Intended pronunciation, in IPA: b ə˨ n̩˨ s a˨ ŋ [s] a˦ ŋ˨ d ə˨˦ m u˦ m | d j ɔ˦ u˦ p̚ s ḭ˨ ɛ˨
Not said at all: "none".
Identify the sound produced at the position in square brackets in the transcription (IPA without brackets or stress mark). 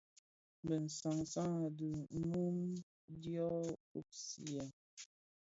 s